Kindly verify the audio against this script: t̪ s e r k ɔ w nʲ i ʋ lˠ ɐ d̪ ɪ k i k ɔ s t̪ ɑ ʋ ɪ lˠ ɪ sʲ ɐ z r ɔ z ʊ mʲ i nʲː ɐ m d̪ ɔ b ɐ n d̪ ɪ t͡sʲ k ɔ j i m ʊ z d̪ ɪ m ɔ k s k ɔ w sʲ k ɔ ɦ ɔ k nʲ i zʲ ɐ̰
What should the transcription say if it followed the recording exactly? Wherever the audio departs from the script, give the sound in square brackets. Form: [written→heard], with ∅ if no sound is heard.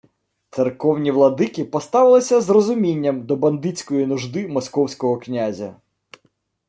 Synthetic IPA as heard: t̪ s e r k ɔ w nʲ i ʋ lˠ ɐ d̪ ɪ k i [k→p] ɔ s t̪ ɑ ʋ ɪ lˠ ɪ sʲ ɐ z r ɔ z ʊ mʲ i nʲː ɐ m d̪ ɔ b ɐ n d̪ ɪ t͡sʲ k ɔ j i [m→n] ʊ [z→ʒ] d̪ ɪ m ɔ [k→∅] s k ɔ w sʲ k ɔ ɦ ɔ k nʲ [i→a] zʲ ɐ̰